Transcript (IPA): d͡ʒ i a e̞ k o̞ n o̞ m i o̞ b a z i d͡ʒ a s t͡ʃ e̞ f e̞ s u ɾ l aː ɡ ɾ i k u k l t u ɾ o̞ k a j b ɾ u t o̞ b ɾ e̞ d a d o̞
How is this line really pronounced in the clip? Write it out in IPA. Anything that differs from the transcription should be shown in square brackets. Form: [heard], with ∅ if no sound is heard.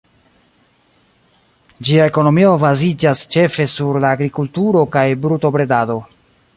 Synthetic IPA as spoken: d͡ʒ i a e̞ k o̞ n o̞ m i o̞ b a z i d͡ʒ a s t͡ʃ e̞ f e̞ s u ɾ l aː ɡ ɾ i k u [∅] l t u ɾ o̞ k a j b ɾ u t o̞ b ɾ e̞ d a d o̞